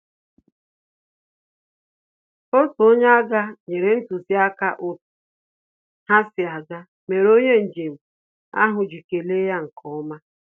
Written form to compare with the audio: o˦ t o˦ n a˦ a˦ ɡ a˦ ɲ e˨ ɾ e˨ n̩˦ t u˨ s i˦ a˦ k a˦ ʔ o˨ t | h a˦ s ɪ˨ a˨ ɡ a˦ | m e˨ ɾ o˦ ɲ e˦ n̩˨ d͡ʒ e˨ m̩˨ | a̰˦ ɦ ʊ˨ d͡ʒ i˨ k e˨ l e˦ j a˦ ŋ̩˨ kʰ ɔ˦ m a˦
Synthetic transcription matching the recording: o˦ t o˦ ɲ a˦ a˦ ɡ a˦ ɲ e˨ ɾ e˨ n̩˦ t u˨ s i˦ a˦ k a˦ ʔ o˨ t | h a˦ s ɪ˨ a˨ ɡ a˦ | m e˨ ɾ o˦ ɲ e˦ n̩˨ d͡ʒ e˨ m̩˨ | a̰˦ ɦ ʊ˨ d͡ʒ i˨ k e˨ l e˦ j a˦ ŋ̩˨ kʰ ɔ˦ m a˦